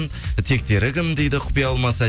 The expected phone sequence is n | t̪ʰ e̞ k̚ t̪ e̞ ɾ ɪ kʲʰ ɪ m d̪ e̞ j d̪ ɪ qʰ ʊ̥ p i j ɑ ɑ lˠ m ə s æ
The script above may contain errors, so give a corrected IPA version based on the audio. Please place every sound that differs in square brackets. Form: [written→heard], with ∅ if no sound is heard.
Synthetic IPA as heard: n | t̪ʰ e̞ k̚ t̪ e̞ ɾ ɪ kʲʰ ɪ m d̪ e̞ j d̪ ɪ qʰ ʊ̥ p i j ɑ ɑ lˠ m [ə→ɑ] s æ